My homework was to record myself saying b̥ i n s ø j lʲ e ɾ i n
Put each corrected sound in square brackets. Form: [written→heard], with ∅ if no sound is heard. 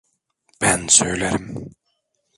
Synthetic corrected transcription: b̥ [i→æ] n s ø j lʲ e ɾ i [n→m]